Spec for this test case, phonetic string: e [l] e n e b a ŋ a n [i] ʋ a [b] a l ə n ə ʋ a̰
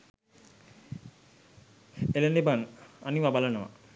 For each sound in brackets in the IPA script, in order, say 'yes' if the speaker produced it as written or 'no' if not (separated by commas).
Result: yes, yes, yes